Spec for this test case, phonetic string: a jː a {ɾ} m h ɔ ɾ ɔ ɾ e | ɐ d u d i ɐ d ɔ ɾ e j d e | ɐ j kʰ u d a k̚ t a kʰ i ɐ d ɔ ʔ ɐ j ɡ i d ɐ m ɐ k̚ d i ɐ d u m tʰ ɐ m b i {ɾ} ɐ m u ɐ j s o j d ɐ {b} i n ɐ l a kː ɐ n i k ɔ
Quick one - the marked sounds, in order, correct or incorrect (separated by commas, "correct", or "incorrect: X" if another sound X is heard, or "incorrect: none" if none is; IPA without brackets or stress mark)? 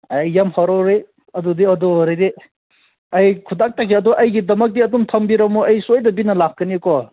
incorrect: none, correct, correct